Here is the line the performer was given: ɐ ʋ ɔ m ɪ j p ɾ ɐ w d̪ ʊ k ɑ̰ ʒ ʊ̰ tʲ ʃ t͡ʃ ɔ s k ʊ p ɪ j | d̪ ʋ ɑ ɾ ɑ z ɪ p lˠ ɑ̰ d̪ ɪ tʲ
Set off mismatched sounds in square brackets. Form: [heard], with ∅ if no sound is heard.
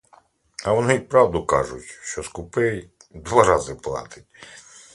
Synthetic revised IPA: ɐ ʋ ɔ [n] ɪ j p ɾ [ɑ] w d̪ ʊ k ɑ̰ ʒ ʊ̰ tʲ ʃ t͡ʃ ɔ s k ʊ p ɪ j | d̪ ʋ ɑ ɾ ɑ z ɪ p lˠ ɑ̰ [t̪] ɪ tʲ